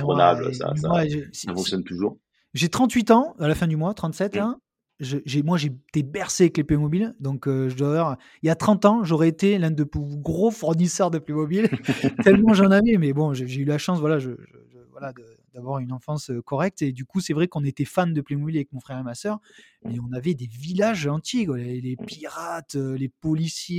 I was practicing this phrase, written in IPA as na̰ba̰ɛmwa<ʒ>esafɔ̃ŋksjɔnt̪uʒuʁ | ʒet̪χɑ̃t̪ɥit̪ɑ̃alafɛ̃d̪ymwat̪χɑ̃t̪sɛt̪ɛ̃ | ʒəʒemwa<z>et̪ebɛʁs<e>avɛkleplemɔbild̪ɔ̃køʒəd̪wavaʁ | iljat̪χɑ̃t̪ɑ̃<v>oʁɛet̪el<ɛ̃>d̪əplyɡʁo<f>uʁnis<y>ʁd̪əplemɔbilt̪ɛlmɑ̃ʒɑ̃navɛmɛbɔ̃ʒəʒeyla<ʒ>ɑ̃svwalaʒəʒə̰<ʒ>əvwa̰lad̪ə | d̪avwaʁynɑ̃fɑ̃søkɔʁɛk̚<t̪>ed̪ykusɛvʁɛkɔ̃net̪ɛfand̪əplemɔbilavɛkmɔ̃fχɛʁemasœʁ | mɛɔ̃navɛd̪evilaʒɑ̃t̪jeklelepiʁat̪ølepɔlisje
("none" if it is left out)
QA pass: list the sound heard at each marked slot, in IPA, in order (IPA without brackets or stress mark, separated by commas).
ʒ, ʒ, e, ʒ, ɛ̃, f, œ, ʃ, ʒ, t̪